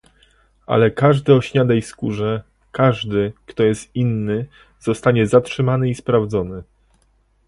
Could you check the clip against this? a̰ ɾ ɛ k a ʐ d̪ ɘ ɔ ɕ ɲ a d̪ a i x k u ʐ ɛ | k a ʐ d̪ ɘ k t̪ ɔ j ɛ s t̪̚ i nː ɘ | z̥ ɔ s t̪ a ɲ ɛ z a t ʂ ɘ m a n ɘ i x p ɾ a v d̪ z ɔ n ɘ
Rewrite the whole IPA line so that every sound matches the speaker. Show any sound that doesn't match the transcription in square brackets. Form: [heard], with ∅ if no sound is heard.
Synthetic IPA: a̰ [l] ɛ k a ʐ d̪ ɘ ɔ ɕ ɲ a d̪ a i [s] k u ʐ ɛ | k a ʐ d̪ ɘ k t̪ ɔ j ɛ s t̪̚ i nː ɘ | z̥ ɔ s t̪ a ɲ ɛ z a t ʂ ɘ m a n ɘ i [s] p ɾ a v d̪ z ɔ n ɘ